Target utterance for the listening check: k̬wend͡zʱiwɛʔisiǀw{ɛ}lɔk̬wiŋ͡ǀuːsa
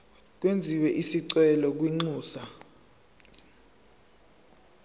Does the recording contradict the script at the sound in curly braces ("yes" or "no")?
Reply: no